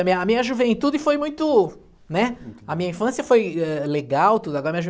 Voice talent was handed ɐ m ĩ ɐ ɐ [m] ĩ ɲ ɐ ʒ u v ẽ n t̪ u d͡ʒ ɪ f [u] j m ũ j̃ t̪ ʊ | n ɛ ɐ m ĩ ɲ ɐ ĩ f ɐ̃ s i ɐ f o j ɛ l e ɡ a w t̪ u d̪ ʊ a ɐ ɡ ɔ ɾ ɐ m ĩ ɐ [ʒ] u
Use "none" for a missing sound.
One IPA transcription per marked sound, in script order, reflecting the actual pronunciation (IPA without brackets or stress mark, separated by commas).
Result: m, o, ʒ